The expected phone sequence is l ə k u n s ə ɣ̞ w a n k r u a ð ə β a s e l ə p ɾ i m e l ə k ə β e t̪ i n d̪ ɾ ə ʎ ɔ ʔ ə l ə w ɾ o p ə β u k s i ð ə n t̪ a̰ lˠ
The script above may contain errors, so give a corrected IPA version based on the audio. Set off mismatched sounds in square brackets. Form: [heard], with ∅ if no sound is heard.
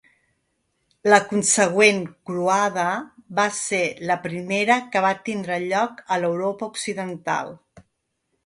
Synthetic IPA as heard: l ə k u n s ə ɣ̞ w [e] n k [ɾ] u a ð ə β a s e l ə p ɾ i m e [ɾ] ə k ə β [a] t̪ i n d̪ ɾ ə ʎ ɔ [k] ə l ə w ɾ o p ə [∅] u k s i ð ə n t̪ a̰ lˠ